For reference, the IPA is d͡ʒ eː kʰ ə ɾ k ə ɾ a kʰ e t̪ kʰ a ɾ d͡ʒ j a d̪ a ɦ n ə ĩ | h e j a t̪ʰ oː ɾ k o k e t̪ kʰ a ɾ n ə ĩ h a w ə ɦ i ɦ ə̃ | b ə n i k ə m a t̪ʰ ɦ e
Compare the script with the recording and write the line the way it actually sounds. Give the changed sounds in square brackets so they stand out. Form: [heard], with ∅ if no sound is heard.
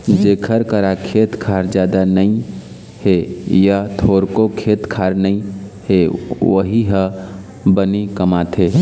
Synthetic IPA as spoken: d͡ʒ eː kʰ ə ɾ k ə ɾ a kʰ e t̪ kʰ a ɾ d͡ʒ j a d̪ a [∅] n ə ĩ | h e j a t̪ʰ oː ɾ k o [kʰ] e t̪ kʰ a ɾ n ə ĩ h [e] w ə ɦ i ɦ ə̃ | b ə n i k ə m a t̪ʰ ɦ e